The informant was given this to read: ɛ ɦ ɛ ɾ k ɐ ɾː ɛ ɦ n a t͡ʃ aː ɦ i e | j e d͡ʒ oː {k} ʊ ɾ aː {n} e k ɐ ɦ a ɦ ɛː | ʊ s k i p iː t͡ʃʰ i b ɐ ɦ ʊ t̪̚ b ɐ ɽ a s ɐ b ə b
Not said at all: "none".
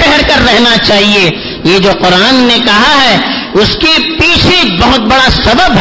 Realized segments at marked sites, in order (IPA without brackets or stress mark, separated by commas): q, nː